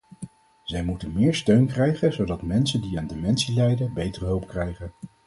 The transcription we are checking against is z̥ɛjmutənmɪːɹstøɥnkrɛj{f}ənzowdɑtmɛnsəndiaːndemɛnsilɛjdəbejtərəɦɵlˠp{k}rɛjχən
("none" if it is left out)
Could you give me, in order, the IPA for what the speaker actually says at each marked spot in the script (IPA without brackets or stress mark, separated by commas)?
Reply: χ, k